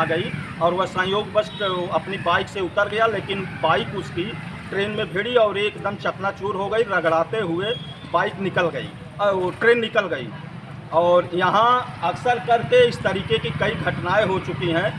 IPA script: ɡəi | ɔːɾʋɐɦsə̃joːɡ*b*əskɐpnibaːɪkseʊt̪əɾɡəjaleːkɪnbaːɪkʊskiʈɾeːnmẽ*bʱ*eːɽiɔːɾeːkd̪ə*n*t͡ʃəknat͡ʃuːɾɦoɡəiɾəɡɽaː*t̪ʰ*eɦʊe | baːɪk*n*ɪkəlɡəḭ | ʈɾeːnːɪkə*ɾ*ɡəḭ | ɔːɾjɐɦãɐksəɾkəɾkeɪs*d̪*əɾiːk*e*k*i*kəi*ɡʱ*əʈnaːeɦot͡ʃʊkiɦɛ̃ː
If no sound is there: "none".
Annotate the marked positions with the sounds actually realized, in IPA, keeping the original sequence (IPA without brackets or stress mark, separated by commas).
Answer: b, bʱ, m, t̪, n, l, t̪, e, i, ɡʱ